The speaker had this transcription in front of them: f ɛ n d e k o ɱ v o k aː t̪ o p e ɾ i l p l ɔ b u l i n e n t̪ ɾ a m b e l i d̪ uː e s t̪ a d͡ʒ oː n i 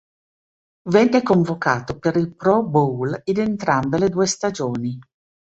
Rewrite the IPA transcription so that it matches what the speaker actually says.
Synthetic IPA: v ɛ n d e k o ɱ v o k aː t̪ o p e ɾ i l p ɾ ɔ b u l i n e n t̪ ɾ a m b e l e d̪ uː e s t̪ a d͡ʒ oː n i

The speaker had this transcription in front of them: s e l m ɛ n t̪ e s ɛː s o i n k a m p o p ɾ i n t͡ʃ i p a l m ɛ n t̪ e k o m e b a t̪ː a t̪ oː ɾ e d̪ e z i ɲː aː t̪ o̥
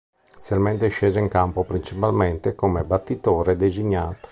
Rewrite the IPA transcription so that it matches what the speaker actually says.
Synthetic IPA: s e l m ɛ n t̪ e ʃ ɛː z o i ŋ k a m p o p ɾ i n t͡ʃ i p a l m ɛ n t̪ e k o m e b a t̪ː i t̪ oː ɾ e d̪ e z i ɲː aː t̪ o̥

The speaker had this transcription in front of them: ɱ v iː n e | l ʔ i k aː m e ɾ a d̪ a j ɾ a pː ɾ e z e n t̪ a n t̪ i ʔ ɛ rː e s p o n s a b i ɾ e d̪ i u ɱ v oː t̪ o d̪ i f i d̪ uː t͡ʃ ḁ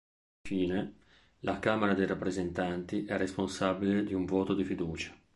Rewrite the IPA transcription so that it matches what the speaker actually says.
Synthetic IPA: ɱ f iː n e | l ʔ a k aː m e ɾ a d̪ e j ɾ a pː ɾ e z e n t̪ a n t̪ i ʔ ɛ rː e s p o n s a b i l e d̪ i u ɱ v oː t̪ o d̪ i f i d̪ uː t͡ʃ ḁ

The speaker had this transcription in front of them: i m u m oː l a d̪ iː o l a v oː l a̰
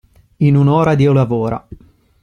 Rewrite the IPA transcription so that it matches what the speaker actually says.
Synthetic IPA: i n u n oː ɾ a d̪ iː o l a v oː ɾ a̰

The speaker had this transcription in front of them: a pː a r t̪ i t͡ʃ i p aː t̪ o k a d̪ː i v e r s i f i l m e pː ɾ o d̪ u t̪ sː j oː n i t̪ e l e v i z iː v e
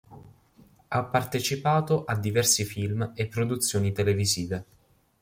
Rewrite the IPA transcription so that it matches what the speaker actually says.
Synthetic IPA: a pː a r t̪ e t͡ʃ i p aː t̪ o ʔ a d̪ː i v ɛ r s i f i l m e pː ɾ o d̪ u t̪ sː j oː n i t̪ e l e v i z iː v e

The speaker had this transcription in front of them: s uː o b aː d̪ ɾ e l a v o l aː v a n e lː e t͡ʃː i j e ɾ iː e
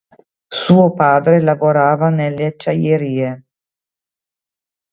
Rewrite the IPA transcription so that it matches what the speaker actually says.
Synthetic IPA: s uː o p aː d̪ ɾ e l a v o ɾ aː v a n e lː e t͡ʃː a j e ɾ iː e

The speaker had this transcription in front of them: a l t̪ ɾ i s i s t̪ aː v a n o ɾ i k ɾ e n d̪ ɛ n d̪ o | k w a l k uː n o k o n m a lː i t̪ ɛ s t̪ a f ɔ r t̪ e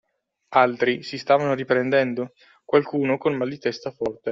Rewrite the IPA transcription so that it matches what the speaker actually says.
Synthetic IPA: a l t̪ ɾ i s i s t̪ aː v a n o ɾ i p ɾ e n d̪ ɛ n d̪ o | k w a l k uː n o k o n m a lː i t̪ ɛ s t̪ a f ɔ r t̪ e

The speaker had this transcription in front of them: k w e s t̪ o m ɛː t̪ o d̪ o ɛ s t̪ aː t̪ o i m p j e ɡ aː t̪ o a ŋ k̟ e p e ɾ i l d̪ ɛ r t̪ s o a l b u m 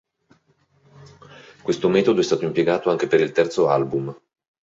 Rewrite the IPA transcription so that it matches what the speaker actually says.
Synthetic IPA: k w e s t̪ o m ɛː t̪ o d̪ o ɛ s t̪ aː t̪ o i m p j e ɡ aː t̪ o a ŋ k̟ e p e ɾ i l t̪ ɛ r t̪ s o a l b u m

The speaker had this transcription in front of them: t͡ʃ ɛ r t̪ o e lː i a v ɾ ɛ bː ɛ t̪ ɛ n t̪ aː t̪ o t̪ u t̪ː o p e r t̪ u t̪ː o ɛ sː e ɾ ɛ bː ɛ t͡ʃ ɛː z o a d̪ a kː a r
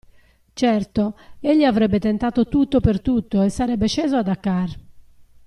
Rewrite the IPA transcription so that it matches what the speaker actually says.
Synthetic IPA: t͡ʃ ɛ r t̪ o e ʎː i a v ɾ ɛ bː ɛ t̪ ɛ n t̪ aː t̪ o t̪ u t̪ː o p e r t̪ u t̪ː o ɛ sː a ɾ ɛ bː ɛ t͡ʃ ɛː z o a d̪ a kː a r

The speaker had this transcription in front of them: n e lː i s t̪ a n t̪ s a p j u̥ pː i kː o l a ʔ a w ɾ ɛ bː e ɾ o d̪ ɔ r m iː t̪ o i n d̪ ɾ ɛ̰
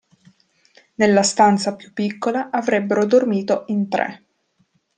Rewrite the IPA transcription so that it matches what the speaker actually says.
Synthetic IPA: n e lː a s t̪ a n t̪ s a p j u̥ pː i kː o l a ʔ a v ɾ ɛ bː e ɾ o d̪ o r m iː t̪ o i n t̪ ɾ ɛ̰

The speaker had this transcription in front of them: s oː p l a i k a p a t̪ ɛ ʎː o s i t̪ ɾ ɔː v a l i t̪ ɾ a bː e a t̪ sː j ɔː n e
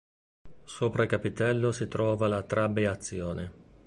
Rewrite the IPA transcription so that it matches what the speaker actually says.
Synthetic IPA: s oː p ɾ a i k a p i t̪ ɛ lː o s i t̪ ɾ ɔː v a l a t̪ ɾ a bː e a t̪ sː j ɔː n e

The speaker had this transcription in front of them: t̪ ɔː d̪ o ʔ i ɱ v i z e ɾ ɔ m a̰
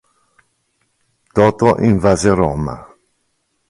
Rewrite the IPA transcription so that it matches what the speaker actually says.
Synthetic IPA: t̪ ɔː t̪ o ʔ i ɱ v a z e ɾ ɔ m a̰

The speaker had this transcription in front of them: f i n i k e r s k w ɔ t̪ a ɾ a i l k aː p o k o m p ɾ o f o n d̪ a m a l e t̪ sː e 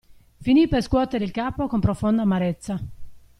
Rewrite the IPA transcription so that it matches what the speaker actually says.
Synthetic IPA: f i n i p e r s k w ɔ t̪ e ɾ e i l k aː p o k o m p ɾ o f o n d̪ a m a ɾ e t̪ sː a

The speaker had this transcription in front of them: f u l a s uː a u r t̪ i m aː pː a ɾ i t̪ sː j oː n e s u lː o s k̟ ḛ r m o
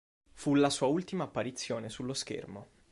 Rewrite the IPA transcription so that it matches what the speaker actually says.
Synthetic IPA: f u l a s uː a u l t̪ i m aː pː a ɾ i t̪ sː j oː n e s u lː o s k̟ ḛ r m o

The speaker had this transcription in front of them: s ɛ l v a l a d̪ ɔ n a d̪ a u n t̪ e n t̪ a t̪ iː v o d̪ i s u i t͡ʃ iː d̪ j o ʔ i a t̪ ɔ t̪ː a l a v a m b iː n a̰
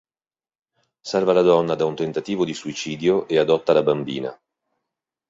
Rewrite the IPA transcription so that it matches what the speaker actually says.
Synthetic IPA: s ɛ r v a l a d̪ ɔ nː a d̪ a u n t̪ e n t̪ a t̪ iː v o d̪ i s u i t͡ʃ iː d̪ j o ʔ e a d̪ ɔ t̪ː a l a b a m b iː n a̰

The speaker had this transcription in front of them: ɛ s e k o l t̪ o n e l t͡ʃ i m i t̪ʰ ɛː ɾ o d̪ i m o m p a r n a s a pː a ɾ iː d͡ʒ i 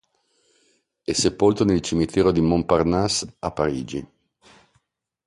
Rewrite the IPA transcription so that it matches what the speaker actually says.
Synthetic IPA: ɛ s e p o l t̪ o n e l t͡ʃ i m i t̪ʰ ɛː ɾ o d̪ i m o m p a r n a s a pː a ɾ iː d͡ʒ i

